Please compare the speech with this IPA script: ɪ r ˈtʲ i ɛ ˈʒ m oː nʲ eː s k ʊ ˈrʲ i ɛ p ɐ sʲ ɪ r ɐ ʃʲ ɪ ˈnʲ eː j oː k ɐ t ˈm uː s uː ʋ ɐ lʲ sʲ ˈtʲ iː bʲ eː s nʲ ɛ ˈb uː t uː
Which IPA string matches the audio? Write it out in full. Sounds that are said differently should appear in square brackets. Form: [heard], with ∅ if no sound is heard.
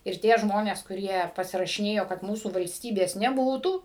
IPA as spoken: ɪ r ˈtʲ i ɛ ˈʒ m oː nʲ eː s k ʊ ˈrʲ i ɛ p ɐ sʲ ɪ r ɐ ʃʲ ɪ ˈnʲ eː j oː k ɐ t ˈm uː s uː ʋ ɐ lʲ sʲ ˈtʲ iː bʲ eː s nʲ ɛ ˈb uː t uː